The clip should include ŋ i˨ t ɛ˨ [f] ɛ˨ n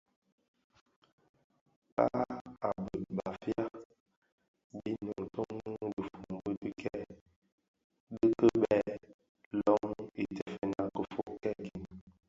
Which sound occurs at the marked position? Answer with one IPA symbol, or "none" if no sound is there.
f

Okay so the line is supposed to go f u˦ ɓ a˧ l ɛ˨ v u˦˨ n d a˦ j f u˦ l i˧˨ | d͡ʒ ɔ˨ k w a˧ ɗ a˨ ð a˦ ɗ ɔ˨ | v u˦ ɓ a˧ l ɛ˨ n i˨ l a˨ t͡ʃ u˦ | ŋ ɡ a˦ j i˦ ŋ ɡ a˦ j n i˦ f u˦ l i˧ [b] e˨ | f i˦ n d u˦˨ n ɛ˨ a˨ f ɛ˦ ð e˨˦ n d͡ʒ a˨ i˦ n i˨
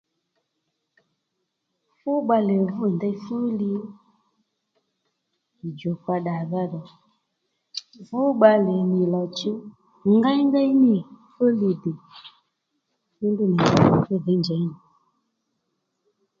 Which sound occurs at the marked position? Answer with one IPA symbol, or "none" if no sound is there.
d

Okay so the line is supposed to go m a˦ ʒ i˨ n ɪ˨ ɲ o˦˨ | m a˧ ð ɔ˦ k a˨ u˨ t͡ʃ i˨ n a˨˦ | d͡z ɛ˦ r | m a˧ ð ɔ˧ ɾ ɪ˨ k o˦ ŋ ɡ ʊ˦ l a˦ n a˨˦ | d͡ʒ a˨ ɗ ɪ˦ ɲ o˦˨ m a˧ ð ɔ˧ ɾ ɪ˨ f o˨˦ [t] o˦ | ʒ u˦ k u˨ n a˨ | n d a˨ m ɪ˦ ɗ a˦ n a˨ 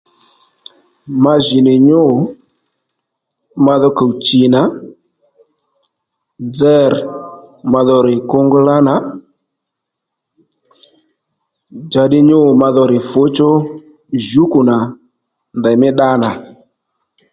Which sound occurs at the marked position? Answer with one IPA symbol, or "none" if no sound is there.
t͡ʃ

